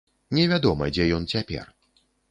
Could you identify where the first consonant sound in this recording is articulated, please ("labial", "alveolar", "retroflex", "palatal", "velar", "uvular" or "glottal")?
alveolar